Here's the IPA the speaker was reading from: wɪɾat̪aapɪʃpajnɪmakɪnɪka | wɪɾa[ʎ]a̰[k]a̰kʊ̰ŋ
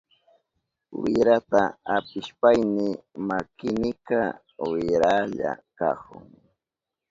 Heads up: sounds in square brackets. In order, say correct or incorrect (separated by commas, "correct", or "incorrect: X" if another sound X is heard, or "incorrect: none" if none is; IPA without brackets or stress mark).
correct, correct